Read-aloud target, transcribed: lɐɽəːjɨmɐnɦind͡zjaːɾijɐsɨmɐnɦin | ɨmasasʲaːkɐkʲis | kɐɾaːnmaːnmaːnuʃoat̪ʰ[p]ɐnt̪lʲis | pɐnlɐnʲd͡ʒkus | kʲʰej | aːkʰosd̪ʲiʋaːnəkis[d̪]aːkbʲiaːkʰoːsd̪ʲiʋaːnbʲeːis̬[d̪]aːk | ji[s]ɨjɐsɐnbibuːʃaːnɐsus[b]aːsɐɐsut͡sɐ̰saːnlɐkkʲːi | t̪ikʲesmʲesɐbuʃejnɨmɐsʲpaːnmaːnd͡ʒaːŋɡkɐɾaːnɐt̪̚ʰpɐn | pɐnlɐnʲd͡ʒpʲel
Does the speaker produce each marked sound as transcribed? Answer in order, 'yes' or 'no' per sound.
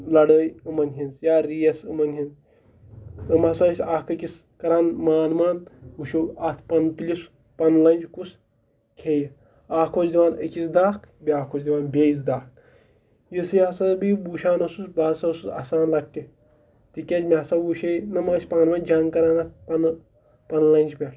yes, yes, yes, yes, yes

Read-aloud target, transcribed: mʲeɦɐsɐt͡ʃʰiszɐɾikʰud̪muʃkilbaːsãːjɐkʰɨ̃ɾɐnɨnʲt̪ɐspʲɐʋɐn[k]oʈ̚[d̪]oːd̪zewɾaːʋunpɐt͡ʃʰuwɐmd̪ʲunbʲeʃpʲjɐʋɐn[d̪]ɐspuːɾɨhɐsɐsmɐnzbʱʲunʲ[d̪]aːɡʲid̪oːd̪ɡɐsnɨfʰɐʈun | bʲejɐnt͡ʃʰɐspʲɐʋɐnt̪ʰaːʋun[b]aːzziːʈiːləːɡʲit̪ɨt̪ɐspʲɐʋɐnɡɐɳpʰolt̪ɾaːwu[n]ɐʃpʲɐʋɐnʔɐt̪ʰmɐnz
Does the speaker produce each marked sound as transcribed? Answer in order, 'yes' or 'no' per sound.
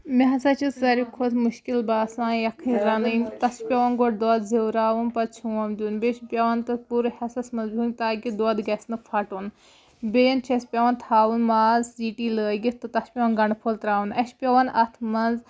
no, yes, no, no, no, yes

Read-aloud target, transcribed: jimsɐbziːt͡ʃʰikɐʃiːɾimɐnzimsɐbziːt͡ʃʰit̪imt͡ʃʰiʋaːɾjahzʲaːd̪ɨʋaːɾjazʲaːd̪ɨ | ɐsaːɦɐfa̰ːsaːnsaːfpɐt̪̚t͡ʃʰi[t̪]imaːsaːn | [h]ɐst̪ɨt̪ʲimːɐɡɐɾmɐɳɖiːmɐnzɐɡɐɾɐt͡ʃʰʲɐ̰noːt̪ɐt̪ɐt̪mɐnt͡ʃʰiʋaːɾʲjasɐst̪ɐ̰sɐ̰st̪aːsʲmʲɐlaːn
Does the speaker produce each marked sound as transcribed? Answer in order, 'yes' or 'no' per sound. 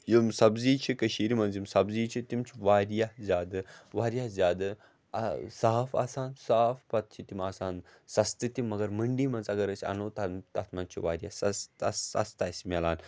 yes, no

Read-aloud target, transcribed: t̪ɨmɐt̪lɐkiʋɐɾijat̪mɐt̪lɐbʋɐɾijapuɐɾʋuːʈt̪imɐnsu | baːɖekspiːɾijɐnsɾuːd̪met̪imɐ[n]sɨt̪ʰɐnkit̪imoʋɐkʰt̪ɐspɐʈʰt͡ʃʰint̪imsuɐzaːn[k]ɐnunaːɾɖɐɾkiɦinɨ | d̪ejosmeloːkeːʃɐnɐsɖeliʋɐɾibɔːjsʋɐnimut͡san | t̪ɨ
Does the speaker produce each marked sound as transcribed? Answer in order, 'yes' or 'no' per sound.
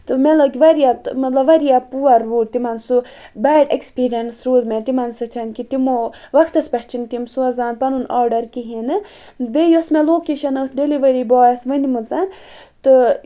yes, no

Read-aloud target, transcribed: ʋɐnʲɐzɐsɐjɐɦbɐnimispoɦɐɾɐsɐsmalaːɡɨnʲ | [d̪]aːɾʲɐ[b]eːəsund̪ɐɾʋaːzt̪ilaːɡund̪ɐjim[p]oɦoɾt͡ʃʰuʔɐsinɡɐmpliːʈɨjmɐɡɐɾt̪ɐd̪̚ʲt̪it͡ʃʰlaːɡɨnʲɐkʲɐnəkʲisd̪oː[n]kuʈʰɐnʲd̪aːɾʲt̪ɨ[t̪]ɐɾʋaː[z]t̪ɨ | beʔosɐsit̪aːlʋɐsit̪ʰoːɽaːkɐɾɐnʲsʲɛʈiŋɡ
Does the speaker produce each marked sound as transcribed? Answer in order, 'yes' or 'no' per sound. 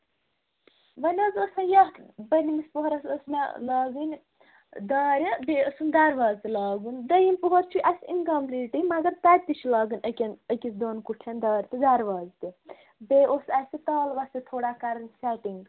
yes, yes, yes, yes, no, yes

